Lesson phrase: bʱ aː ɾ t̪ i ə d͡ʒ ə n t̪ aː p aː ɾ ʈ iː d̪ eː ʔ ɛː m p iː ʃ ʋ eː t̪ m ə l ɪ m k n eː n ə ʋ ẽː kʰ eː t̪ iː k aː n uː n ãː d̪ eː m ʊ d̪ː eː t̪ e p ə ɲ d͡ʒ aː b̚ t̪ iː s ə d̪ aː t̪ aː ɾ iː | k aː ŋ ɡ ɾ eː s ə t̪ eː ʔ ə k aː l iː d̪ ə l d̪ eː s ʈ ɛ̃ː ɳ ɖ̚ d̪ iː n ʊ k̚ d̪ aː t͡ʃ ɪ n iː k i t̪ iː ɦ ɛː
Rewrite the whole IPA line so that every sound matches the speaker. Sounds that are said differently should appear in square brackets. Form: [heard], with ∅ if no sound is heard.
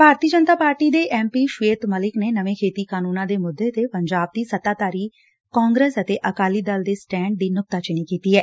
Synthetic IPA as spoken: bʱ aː ɾ t̪ i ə d͡ʒ ə n t̪ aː p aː ɾ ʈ iː d̪ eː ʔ ɛː m p iː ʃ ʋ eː t̪ m ə l ɪ [∅] k n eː n ə ʋ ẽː kʰ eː t̪ iː k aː n uː n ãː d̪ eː m ʊ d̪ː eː t̪ e p ə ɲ d͡ʒ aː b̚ [d̪] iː s ə [t̪] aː t̪ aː ɾ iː | k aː ŋ ɡ ɾ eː s ə t̪ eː ʔ ə k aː l iː d̪ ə l d̪ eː s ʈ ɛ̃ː ɳ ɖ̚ d̪ iː n ʊ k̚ [t̪] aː t͡ʃ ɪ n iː k [iː] t̪ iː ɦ ɛː